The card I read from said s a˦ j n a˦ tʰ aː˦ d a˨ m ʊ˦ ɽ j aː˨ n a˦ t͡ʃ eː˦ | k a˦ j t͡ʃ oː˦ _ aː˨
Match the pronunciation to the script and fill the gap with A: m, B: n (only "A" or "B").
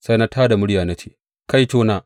B